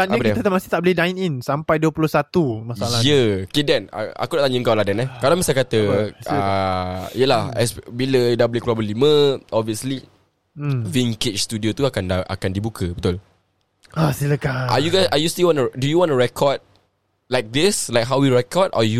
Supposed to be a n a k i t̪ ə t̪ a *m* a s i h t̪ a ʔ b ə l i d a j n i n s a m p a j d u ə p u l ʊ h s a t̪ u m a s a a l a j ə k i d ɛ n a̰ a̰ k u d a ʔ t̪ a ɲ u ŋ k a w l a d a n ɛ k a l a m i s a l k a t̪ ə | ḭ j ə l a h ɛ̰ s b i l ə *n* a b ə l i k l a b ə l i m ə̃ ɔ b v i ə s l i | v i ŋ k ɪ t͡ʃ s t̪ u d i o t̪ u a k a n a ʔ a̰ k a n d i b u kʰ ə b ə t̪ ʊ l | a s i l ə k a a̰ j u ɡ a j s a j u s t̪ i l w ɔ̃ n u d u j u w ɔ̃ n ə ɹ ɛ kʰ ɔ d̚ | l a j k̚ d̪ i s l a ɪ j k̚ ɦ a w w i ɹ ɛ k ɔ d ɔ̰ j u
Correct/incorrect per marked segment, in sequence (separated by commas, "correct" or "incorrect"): correct, incorrect